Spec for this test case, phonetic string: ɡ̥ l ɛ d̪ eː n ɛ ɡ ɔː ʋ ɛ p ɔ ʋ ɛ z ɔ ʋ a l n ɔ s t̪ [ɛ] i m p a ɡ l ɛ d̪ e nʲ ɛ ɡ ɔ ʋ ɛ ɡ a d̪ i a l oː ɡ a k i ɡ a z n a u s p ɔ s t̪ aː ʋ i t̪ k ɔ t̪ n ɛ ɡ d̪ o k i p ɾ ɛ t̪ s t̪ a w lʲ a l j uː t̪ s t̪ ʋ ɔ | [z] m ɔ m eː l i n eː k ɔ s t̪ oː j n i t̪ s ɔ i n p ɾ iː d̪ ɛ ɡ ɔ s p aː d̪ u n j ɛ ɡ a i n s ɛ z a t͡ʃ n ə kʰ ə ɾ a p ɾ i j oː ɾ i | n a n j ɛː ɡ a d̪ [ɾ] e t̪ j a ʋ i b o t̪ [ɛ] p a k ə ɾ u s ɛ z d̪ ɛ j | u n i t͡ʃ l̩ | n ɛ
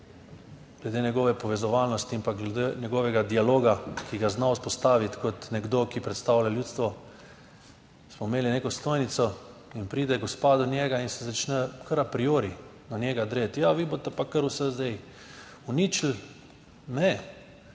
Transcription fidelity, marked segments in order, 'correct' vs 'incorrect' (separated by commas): incorrect, incorrect, correct, correct